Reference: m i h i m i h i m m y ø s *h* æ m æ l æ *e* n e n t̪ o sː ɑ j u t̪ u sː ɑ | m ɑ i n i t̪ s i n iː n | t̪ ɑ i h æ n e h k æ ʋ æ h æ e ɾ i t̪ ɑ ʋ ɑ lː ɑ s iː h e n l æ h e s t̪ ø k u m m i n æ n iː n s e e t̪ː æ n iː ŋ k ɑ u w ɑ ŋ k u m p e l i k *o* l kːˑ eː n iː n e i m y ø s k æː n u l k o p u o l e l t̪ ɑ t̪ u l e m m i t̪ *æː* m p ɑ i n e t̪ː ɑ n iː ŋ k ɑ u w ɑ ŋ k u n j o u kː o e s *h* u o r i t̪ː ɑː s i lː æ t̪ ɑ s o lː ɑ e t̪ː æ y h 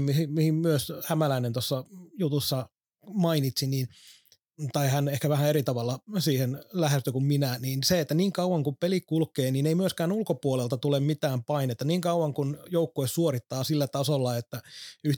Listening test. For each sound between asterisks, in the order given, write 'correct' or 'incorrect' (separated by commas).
correct, incorrect, incorrect, correct, incorrect